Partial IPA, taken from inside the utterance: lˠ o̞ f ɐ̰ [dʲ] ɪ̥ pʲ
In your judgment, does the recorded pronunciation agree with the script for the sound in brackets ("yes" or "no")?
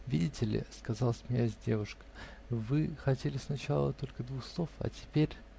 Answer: no